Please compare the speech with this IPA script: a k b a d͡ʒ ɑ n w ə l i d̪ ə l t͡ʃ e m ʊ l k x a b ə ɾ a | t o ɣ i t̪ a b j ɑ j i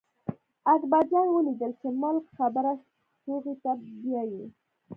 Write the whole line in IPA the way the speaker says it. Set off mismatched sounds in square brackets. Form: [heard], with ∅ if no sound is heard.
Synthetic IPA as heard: a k b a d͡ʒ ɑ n w ə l i d̪ ə l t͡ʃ e m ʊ l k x a b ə ɾ a | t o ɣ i t̪ a b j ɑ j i